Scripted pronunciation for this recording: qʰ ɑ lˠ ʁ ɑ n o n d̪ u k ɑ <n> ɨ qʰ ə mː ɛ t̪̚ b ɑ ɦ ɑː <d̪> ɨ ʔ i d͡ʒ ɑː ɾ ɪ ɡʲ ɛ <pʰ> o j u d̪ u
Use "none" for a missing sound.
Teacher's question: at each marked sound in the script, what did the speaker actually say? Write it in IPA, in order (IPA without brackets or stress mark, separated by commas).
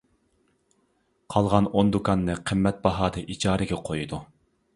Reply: nː, d̪, qʰ